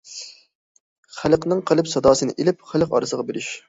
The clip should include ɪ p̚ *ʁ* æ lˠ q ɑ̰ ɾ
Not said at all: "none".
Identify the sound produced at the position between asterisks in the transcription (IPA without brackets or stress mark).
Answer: χ